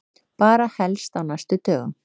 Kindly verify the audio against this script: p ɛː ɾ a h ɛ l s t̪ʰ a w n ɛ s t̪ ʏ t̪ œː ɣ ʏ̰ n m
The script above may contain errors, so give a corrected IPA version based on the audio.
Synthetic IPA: p aː ɾ a h ɛ l s t̪ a w n a s t̪ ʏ t̪ œː ɣ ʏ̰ m